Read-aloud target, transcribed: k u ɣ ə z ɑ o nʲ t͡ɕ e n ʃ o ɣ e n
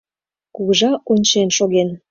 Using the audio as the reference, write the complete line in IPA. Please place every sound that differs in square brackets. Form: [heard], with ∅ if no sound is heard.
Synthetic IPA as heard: k u ɣ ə [ʒ] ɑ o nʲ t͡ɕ e n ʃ o ɣ e n